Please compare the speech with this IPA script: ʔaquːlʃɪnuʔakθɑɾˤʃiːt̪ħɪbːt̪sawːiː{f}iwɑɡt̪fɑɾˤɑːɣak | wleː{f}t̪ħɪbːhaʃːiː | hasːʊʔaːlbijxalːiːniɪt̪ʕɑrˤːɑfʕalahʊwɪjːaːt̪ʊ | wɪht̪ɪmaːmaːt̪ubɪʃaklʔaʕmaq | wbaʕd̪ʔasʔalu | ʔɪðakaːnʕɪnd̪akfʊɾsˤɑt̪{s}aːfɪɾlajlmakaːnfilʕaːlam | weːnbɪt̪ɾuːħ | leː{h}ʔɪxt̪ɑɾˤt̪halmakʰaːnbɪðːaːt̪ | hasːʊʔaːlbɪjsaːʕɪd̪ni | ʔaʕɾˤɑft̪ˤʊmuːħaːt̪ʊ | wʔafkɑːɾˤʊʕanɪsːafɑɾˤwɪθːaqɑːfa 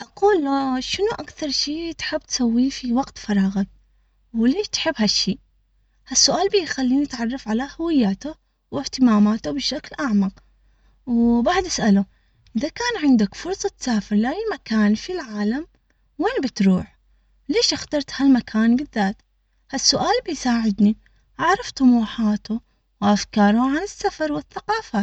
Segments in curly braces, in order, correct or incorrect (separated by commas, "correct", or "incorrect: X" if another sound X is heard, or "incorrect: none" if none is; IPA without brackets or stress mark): correct, incorrect: ʃ, correct, incorrect: ʃ